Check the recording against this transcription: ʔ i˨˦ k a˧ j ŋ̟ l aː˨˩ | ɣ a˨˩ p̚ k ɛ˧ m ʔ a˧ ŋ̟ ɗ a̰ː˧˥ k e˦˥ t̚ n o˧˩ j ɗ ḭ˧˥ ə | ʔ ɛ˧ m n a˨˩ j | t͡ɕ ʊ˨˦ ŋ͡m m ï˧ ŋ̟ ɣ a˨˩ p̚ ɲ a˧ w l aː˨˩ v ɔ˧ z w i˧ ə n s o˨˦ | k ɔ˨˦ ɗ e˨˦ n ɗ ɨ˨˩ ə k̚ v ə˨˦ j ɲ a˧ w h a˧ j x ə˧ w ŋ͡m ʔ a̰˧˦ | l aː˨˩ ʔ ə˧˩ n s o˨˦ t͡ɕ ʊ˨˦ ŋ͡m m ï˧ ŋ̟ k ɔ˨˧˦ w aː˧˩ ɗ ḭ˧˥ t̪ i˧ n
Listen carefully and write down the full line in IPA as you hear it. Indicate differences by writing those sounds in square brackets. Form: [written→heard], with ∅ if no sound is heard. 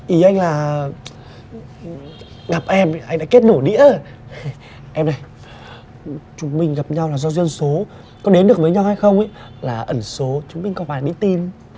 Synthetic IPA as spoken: ʔ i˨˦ [k→ʔ] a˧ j ŋ̟ l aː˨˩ | ɣ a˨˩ p̚ [k→ʔ] ɛ˧ m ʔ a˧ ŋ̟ ɗ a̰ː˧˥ k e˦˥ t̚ n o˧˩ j ɗ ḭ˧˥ ə | ʔ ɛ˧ m n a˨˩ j | t͡ɕ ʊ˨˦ ŋ͡m m ï˧ ŋ̟ ɣ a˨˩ p̚ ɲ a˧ w l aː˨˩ [v→z] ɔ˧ z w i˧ ə n s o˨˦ | k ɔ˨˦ ɗ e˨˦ n ɗ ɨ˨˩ ə k̚ v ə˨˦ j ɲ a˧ w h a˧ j x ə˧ w ŋ͡m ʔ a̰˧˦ | l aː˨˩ ʔ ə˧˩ n s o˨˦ t͡ɕ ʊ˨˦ ŋ͡m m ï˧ ŋ̟ k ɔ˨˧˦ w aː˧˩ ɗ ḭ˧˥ t̪ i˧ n